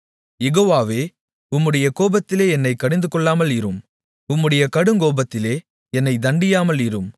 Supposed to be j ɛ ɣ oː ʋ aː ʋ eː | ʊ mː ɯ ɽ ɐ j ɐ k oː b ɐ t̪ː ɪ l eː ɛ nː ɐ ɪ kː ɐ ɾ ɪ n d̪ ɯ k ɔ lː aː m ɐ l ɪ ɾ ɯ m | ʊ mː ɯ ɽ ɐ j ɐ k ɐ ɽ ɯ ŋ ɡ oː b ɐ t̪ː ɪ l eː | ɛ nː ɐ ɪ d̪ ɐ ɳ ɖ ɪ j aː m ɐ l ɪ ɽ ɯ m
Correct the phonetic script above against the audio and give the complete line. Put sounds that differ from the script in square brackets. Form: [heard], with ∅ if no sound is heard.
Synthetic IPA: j ɛ ɣ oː ʋ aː ʋ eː | ʊ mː ɯ ɽ ɐ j ɐ k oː b ɐ t̪ː ɪ l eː ɛ nː ɐ ɪ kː ɐ [ɽ] ɪ n d̪ ɯ k ɔ [ɭː] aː m ɐ l ɪ ɾ ɯ m | ʊ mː ɯ ɽ ɐ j ɐ k ɐ ɽ ɯ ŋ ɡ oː b ɐ t̪ː ɪ l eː | ɛ nː ɐ ɪ d̪ ɐ ɳ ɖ ɪ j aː m ɐ l ɪ [ɾ] ɯ m